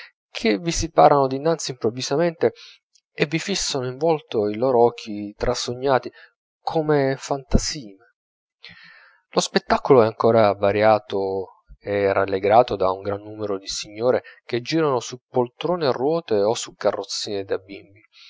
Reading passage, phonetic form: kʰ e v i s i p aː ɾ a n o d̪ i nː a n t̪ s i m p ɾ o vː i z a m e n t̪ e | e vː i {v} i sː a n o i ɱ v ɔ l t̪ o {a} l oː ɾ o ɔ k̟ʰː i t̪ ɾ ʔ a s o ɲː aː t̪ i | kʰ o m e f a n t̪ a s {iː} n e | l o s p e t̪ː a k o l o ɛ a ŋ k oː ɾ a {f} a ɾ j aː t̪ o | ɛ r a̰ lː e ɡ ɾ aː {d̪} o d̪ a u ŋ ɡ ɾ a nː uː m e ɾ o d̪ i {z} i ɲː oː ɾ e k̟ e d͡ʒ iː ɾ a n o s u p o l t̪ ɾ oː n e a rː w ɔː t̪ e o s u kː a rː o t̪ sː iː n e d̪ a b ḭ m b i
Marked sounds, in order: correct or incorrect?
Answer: incorrect, incorrect, correct, incorrect, incorrect, incorrect

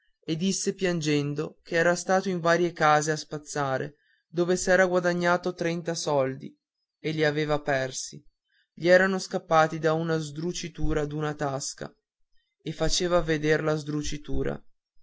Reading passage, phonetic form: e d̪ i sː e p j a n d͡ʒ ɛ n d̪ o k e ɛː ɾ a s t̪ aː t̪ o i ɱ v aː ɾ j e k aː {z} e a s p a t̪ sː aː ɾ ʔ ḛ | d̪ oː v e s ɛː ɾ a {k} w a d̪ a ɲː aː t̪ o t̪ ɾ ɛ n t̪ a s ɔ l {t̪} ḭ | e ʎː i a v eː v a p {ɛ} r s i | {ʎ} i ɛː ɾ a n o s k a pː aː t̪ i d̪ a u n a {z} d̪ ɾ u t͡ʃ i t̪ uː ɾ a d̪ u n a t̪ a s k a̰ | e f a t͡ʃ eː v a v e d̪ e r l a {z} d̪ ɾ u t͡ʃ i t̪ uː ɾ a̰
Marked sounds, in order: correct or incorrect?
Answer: correct, incorrect, incorrect, correct, correct, correct, correct

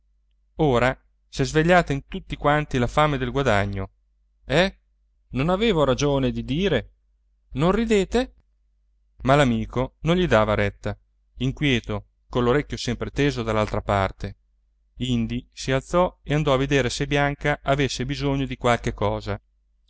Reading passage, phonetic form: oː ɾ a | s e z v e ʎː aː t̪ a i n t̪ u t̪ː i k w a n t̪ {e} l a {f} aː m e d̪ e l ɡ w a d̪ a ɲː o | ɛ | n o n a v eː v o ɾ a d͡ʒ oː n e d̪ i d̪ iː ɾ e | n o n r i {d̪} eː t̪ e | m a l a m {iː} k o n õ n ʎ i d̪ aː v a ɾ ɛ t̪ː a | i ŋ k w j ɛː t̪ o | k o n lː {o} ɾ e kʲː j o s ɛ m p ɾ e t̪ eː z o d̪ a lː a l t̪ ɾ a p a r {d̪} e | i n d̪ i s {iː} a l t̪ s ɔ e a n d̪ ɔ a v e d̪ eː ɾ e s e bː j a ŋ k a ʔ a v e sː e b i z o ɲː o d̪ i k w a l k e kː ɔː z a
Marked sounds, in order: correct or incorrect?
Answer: incorrect, correct, correct, correct, correct, incorrect, incorrect

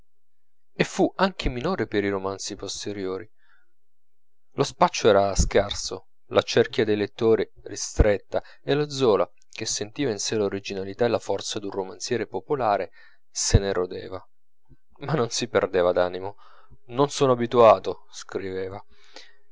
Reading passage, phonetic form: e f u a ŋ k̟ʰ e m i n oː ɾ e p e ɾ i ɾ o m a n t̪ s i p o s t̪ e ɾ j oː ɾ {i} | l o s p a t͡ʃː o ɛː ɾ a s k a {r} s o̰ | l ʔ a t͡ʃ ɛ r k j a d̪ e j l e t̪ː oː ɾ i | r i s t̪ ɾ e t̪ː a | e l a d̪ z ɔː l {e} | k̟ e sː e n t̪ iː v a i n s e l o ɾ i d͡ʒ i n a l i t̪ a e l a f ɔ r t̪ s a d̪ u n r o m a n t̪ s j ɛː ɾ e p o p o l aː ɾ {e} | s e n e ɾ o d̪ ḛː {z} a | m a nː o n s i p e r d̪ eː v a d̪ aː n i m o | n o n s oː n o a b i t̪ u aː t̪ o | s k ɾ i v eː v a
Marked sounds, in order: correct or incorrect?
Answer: correct, correct, incorrect, correct, incorrect

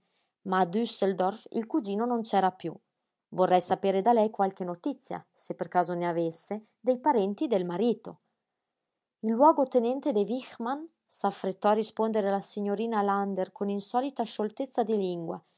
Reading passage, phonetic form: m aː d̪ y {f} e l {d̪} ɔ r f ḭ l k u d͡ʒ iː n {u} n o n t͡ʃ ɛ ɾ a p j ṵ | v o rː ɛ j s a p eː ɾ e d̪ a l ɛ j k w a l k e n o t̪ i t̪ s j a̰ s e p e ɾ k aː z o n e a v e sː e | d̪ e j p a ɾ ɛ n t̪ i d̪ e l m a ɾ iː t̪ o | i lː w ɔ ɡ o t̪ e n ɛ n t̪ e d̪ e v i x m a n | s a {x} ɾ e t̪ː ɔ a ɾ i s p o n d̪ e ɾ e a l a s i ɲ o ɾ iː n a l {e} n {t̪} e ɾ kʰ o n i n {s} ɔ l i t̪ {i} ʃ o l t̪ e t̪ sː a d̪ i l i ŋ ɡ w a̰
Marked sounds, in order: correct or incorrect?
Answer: incorrect, correct, incorrect, incorrect, incorrect, incorrect, correct, incorrect

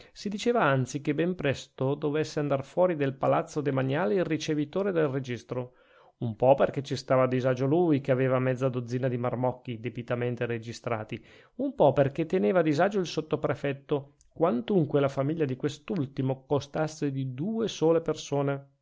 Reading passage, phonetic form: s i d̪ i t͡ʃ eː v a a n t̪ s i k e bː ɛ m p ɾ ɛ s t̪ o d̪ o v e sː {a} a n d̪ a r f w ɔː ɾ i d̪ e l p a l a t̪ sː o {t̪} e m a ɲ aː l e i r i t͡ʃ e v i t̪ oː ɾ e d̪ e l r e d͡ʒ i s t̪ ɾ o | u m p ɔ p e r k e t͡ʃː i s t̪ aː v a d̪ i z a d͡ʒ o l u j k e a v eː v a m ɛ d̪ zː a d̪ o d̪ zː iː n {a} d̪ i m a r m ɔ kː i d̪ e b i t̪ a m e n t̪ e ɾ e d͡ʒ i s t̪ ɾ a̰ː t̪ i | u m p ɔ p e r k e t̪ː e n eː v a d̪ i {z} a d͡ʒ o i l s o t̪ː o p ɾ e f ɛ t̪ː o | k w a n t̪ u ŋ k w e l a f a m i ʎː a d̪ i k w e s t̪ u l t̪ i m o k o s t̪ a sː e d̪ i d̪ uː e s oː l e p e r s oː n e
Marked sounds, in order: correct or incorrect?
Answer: incorrect, incorrect, correct, correct

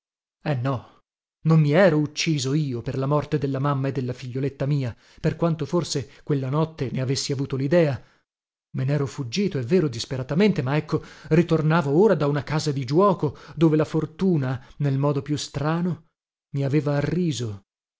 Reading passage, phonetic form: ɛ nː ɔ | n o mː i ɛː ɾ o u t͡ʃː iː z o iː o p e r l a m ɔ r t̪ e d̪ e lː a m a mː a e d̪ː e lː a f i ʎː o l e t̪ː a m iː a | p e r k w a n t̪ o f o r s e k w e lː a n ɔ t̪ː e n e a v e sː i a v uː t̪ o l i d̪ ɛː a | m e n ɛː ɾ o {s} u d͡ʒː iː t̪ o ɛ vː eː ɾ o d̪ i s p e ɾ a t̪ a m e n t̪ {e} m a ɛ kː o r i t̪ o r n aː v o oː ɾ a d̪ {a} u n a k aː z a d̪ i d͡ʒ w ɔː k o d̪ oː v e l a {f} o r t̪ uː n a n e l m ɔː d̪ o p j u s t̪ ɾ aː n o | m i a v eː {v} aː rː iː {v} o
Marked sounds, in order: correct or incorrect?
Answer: incorrect, correct, correct, correct, correct, incorrect

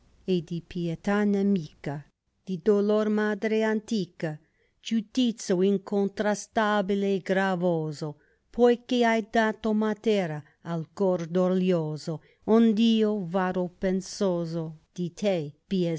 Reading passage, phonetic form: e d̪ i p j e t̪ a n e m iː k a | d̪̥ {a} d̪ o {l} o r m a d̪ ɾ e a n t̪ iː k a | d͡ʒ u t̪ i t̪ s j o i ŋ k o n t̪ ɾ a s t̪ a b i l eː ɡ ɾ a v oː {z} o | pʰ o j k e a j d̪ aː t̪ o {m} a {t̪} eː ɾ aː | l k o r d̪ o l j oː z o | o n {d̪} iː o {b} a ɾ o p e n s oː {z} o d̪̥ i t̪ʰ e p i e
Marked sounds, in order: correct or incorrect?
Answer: incorrect, correct, correct, correct, correct, correct, incorrect, correct

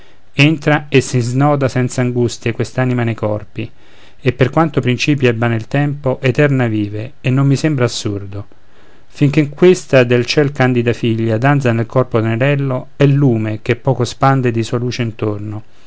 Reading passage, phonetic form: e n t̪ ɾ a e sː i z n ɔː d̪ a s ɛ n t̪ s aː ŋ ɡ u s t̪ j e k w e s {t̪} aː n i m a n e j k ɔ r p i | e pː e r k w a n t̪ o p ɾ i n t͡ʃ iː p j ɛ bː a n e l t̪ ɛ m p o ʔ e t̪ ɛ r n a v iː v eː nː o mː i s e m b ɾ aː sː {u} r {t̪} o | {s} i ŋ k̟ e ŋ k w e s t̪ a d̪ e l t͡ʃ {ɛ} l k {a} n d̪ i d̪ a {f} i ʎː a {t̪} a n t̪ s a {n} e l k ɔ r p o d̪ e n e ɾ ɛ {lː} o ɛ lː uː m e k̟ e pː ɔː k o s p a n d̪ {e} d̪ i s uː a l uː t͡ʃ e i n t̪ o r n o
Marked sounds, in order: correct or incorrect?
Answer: correct, correct, incorrect, incorrect, correct, correct, correct, incorrect, correct, correct, correct

